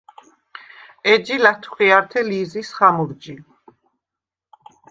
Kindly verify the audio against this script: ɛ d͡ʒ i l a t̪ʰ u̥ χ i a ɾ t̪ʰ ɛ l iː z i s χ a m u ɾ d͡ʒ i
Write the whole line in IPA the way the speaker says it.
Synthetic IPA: ɛ d͡ʒ i l a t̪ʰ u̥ χ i a ɾ t̪ʰ ɛ l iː z i s χ a m u ɾ d͡ʒ i